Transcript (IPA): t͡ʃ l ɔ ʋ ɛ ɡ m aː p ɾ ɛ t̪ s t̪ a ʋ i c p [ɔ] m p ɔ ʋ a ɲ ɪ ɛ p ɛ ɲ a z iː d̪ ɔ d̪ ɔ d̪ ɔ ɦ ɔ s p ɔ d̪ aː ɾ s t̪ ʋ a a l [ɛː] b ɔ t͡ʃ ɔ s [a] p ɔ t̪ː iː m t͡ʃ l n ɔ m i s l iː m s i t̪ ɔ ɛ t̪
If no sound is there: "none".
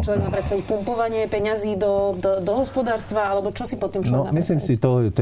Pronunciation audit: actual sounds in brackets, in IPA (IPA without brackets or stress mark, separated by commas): u, ɛ, i